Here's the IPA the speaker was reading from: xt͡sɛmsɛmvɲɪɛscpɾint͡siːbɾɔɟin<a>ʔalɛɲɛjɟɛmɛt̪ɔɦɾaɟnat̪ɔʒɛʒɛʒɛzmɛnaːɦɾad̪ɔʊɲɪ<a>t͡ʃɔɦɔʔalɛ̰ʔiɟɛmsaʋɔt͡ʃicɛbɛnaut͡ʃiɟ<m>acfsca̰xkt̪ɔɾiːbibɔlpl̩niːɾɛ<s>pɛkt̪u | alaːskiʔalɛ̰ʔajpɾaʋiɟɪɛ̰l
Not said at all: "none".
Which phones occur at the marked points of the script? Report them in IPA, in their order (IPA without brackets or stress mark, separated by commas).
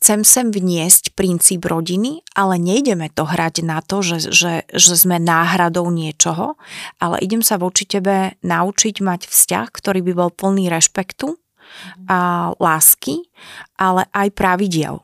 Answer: i, ɛ, m, ʃ